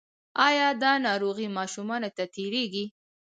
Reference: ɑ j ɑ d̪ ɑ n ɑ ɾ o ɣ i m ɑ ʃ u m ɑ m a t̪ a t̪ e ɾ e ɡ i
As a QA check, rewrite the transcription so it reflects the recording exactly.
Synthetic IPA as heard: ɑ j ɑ d̪ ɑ n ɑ ɾ o ɣ i m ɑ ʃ u m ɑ n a t̪ a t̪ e ɾ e ɡ i